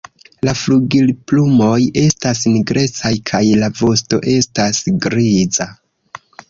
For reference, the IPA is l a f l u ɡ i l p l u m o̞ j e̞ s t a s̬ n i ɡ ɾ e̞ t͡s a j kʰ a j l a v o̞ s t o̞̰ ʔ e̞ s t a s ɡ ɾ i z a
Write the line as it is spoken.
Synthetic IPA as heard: l a f l u ɡ i l p l u m o̞ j e̞ s t a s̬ n i ɡ ɾ e̞ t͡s a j kʰ a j l a v o̞ s t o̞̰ ʔ e̞ s t a s ɡ ɾ i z a